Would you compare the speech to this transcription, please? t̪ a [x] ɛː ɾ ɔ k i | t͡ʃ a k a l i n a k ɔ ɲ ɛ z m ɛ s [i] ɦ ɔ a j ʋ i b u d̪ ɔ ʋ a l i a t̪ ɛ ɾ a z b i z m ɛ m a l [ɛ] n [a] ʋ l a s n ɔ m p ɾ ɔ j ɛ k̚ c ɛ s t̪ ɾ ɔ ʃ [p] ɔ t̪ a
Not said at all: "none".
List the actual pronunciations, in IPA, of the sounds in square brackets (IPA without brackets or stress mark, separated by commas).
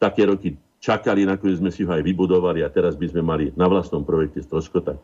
k, i, i, a, k